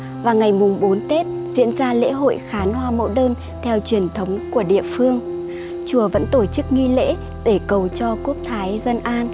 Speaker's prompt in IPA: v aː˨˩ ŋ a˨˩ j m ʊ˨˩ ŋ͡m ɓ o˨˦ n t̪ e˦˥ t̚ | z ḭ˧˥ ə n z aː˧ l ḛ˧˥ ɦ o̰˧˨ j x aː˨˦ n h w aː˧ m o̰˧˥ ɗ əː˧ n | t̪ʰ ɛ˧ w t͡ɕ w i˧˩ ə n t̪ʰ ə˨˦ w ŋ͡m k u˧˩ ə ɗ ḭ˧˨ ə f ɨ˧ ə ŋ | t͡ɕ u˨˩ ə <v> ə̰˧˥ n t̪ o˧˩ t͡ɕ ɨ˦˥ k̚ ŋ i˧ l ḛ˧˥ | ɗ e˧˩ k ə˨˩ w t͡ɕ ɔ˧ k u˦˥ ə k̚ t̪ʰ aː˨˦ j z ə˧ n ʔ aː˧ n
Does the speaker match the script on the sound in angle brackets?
yes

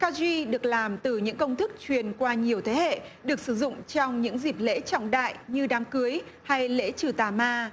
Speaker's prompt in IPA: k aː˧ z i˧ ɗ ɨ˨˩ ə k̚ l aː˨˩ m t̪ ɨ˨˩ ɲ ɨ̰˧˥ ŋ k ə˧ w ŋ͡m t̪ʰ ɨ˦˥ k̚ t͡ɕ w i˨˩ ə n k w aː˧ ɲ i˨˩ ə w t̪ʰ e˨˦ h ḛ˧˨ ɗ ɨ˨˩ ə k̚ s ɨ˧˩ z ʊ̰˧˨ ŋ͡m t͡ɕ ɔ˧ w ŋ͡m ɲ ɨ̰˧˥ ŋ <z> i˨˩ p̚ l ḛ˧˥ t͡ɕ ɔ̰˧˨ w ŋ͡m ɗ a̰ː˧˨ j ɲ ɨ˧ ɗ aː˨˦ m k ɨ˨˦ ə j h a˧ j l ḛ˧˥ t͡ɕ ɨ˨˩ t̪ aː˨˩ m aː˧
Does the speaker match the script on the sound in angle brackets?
yes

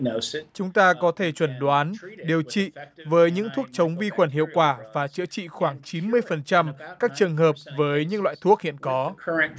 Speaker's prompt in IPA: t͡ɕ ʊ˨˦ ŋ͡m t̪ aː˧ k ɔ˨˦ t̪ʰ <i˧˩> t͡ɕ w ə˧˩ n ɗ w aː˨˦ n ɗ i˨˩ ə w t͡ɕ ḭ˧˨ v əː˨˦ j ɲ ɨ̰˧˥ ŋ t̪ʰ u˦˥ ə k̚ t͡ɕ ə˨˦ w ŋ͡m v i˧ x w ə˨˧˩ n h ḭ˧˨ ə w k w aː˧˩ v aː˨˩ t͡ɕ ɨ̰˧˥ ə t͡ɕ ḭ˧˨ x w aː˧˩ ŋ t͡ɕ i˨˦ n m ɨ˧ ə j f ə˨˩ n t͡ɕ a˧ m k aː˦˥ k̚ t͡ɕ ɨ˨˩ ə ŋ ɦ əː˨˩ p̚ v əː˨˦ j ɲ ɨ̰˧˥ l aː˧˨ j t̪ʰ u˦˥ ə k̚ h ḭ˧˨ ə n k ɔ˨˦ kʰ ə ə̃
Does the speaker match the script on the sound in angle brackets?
no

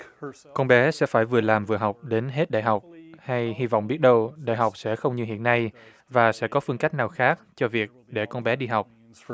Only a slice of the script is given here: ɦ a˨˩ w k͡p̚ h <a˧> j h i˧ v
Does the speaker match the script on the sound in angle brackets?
yes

